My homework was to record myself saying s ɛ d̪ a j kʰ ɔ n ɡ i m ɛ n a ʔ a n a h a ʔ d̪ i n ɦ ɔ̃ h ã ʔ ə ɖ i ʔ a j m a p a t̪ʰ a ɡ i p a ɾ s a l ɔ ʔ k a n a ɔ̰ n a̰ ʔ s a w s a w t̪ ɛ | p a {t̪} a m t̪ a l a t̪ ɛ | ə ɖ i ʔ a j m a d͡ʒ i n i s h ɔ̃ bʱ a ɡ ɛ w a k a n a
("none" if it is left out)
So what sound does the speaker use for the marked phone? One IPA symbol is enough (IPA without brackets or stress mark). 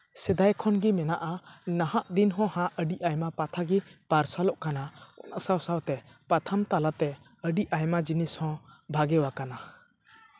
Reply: t̪ʰ